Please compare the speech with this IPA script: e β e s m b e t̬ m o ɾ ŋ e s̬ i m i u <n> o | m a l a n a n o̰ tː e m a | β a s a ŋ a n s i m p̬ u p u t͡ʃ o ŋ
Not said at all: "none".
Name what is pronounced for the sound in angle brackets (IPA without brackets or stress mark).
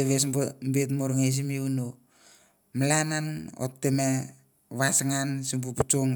n